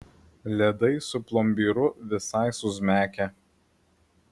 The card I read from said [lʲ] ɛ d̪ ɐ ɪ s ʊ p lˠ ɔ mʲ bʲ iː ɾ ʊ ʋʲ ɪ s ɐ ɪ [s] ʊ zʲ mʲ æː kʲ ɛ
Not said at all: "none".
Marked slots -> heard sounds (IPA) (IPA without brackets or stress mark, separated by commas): lʲ, s